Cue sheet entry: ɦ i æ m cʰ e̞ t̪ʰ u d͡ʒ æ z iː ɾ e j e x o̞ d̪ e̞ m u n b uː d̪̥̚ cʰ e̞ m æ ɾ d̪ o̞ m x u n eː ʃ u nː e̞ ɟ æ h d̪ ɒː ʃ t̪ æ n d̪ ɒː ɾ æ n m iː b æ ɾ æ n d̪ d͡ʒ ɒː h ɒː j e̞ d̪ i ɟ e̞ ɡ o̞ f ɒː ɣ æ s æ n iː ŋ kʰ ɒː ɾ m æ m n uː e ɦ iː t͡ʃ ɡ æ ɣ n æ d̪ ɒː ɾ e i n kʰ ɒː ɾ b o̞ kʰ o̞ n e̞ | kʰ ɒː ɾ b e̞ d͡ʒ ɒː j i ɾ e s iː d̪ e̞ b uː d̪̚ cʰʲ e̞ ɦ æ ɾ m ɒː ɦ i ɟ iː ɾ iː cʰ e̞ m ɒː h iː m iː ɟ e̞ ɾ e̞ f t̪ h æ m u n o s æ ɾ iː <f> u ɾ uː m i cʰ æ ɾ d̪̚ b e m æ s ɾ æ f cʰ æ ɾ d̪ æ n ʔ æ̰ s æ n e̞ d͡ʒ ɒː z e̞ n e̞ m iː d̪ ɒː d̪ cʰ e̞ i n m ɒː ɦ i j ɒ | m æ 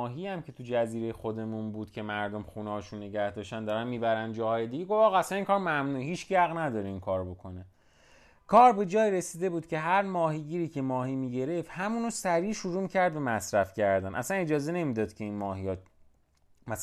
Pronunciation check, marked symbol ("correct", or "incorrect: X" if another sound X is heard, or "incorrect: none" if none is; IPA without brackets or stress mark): incorrect: ʃ